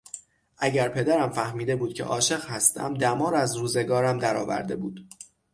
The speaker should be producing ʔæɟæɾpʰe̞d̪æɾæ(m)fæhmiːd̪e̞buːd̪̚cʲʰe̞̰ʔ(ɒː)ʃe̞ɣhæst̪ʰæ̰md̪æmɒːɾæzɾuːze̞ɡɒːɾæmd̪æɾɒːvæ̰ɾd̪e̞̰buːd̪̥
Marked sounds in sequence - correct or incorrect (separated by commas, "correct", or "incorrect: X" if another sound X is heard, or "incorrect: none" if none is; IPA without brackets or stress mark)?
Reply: correct, correct